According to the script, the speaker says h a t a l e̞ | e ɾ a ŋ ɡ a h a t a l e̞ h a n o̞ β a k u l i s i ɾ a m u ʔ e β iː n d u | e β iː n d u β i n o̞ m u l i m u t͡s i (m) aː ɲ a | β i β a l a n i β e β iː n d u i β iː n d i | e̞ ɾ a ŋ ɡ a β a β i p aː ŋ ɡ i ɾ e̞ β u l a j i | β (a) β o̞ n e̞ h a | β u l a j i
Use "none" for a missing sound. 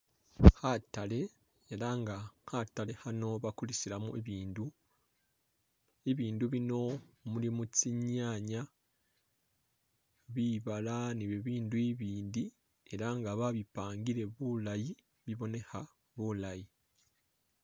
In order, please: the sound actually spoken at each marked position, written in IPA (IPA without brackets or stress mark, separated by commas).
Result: ɲ, i